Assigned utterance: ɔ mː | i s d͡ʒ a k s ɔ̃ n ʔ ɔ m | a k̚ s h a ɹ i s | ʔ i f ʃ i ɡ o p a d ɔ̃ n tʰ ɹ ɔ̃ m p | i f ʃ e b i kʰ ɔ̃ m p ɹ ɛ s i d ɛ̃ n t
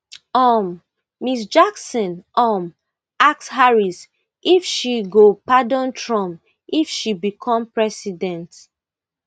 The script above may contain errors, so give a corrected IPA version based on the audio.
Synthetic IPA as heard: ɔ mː | i s d͡ʒ a k s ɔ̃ n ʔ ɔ m | a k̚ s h a ɹ i s | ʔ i f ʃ i ɡ o p a d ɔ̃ n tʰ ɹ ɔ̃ m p | i f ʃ i b i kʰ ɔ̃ m p ɹ ɛ s i d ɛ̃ n t